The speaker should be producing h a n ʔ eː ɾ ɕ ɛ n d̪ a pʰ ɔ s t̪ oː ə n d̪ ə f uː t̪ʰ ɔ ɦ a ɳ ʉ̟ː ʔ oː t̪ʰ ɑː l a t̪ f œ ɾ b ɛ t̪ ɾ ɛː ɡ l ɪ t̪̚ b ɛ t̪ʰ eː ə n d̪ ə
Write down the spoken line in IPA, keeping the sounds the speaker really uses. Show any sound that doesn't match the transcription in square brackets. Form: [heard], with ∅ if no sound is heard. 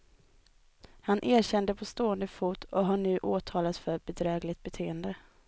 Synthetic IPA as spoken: h a n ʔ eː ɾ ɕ ɛ n d̪ [ə] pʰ ɔ s t̪ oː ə n d̪ ə f uː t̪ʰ ɔ ɦ a ɳ ʉ̟ː ʔ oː t̪ʰ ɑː l a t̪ f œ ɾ b ɛ [d̪] ɾ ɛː ɡ l ɪ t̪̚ b ɛ t̪ʰ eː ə n d̪ ə